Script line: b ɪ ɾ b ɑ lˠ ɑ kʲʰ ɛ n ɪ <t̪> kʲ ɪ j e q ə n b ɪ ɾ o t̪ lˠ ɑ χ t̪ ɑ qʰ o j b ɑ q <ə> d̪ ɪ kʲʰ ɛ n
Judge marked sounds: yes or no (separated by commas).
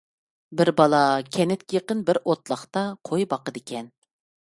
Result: yes, yes